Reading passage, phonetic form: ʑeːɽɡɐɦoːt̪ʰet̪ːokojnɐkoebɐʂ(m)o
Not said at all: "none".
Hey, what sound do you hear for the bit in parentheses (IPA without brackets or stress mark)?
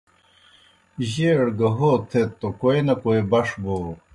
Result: b